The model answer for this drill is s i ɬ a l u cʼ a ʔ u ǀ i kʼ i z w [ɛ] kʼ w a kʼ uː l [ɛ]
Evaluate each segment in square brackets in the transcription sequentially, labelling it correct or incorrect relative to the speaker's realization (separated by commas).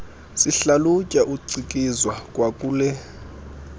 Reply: incorrect, correct